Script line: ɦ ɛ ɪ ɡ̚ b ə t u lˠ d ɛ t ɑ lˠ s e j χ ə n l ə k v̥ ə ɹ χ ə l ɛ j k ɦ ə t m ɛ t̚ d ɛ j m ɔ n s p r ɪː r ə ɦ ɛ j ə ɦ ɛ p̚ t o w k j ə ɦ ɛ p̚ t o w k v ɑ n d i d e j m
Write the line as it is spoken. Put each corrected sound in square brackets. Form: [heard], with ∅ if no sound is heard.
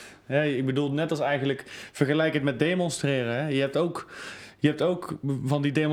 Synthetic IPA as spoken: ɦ ɛ ɪ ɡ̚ b ə [d] u lˠ [n] ɛ t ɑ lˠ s [ɛ] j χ ə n l ə k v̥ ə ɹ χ ə l ɛ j k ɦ ə t m ɛ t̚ d [e] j m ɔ n s [t] r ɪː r ə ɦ ɛ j ə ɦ ɛ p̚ t o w k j ə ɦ ɛ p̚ t o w k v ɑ n d i d e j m